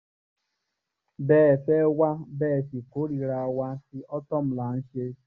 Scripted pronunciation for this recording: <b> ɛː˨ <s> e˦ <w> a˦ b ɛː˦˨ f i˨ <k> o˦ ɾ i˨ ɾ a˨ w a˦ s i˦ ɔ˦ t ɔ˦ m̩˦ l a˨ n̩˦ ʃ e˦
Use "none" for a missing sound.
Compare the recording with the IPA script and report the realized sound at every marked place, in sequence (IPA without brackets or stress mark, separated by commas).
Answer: b, f, w, k